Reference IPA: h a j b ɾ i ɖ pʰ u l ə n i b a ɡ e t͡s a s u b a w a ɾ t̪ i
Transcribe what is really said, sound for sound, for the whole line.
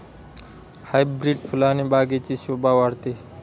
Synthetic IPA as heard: h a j b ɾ i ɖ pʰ u l a n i b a ɡ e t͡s i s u b a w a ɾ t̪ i